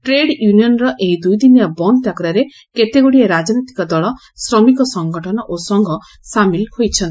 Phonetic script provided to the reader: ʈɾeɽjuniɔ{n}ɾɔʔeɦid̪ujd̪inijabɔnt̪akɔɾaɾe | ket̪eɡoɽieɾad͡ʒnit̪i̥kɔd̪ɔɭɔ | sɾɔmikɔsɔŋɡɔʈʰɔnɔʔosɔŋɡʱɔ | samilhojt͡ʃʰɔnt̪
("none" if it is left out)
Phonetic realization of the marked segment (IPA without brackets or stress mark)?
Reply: n